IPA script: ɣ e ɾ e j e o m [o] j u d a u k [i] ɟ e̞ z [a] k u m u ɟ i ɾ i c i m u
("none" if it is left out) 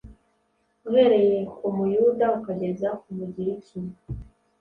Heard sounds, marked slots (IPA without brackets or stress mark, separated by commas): u, a, a